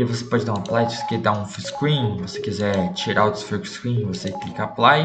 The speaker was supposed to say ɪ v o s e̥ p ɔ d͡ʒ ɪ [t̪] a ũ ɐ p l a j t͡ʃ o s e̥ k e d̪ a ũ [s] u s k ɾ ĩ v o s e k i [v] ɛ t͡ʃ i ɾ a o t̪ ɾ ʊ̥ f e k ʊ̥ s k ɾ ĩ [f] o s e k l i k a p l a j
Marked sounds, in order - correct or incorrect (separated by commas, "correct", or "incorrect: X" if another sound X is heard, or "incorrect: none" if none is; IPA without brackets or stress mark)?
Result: incorrect: d̪, incorrect: f, incorrect: z, incorrect: v